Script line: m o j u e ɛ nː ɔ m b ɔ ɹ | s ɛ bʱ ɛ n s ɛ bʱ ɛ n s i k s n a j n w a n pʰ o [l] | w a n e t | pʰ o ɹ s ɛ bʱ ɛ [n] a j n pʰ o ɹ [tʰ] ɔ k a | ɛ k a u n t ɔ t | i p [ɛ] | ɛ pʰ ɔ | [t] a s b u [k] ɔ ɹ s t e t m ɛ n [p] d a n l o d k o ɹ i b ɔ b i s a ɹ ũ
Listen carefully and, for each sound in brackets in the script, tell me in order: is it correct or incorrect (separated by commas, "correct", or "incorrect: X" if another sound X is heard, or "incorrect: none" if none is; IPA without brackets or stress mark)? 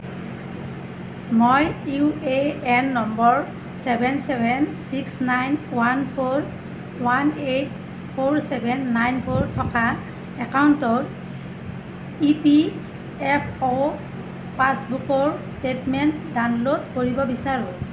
incorrect: ɹ, incorrect: nː, correct, incorrect: i, incorrect: p, correct, incorrect: t